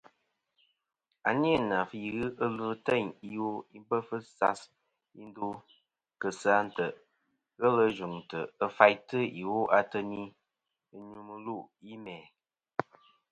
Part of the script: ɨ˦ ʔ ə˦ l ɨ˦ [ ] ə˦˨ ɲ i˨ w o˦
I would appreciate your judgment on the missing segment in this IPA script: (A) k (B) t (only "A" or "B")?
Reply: B